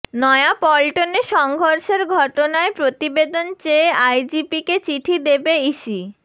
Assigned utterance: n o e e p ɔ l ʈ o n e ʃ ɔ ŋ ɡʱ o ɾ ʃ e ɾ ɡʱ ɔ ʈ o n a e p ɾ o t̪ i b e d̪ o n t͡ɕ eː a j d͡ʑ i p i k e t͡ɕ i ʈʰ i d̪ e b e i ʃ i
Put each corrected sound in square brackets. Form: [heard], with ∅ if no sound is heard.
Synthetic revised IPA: n [ɔ] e [a] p ɔ l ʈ o n e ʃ ɔ ŋ ɡʱ o ɾ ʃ e ɾ ɡʱ ɔ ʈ o n a e p ɾ o t̪ i b e d̪ o n t͡ɕ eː a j d͡ʑ i p i k e t͡ɕ i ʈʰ i d̪ e b e i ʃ i